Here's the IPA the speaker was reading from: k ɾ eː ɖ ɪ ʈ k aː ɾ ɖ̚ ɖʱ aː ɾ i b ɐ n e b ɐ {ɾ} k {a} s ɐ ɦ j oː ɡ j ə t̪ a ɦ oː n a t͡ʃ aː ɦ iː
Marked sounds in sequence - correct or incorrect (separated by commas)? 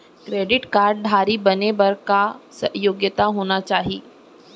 correct, correct